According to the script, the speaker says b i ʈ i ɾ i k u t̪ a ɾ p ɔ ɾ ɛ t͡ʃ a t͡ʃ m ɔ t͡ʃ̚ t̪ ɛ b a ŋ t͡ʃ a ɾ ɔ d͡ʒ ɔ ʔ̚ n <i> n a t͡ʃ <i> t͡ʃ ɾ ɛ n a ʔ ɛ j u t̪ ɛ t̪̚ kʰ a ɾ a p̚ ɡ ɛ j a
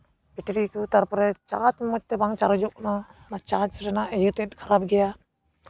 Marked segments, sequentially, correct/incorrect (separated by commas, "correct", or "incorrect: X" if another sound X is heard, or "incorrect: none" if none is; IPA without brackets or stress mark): incorrect: a, incorrect: a